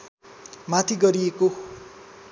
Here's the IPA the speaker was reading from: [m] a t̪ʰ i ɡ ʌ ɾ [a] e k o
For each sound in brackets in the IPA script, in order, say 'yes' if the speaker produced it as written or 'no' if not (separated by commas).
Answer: yes, no